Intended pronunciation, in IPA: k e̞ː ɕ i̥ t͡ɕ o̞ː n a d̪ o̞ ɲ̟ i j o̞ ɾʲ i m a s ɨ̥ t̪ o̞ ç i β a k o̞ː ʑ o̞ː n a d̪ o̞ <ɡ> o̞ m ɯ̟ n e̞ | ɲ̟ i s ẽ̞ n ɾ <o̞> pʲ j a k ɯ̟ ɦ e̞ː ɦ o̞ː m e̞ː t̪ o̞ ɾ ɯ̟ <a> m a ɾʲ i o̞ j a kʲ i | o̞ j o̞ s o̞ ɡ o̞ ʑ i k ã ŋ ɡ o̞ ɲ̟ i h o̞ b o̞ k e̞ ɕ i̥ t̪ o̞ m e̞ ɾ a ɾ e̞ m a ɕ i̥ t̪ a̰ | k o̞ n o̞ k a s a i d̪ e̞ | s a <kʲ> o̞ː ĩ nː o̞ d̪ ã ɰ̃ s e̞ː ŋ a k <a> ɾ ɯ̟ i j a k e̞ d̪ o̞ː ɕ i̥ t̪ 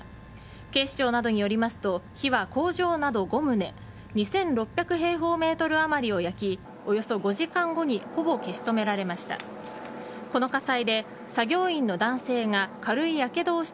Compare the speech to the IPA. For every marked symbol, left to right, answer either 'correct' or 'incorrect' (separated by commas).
correct, correct, correct, incorrect, correct